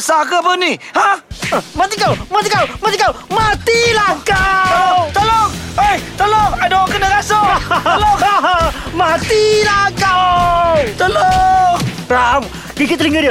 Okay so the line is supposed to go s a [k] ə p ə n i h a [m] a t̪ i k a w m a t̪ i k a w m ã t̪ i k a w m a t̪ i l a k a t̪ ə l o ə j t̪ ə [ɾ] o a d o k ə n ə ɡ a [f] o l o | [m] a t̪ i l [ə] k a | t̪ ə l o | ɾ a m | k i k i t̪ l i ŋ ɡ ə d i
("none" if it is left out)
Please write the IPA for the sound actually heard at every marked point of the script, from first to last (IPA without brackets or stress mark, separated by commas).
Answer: k, m, l, s, m, a